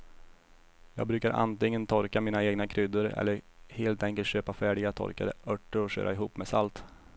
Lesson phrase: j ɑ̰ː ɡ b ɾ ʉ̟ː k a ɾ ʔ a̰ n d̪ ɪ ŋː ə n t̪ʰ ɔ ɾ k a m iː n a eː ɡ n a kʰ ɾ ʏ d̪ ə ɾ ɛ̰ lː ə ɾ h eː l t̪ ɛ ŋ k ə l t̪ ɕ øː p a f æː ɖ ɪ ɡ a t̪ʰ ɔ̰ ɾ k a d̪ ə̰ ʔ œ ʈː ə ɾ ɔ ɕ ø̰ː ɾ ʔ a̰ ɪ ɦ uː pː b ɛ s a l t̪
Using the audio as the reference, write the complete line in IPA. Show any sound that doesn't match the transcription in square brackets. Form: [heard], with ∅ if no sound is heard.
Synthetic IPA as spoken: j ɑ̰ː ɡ b ɾ ʉ̟ː k a ɾ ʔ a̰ n [t̪] ɪ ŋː ə n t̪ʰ ɔ ɾ k a m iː n a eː ɡ n a kʰ ɾ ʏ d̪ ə ɾ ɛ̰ lː ə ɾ h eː l t̪ ɛ ŋ k ə l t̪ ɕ øː p a f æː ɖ ɪ ɡ a t̪ʰ ɔ̰ ɾ k a d̪ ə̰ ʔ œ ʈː ə ɾ ɔ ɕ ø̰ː ɾ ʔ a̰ ɪ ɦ uː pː [m] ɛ s a l t̪